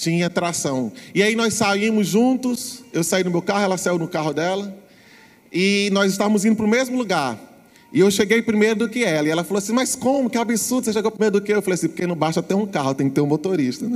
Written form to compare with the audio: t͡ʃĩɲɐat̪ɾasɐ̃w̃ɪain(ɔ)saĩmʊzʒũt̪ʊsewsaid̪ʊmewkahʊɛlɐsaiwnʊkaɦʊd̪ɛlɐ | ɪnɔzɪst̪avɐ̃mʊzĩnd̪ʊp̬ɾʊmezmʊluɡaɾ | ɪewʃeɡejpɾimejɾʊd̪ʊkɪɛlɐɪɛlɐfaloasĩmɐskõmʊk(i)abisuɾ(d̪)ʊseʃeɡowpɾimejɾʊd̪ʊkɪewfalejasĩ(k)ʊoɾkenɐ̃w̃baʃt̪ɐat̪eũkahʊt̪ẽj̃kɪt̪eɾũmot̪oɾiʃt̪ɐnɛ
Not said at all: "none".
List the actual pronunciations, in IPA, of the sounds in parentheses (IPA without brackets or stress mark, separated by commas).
ɔ, ɪ, d̪, p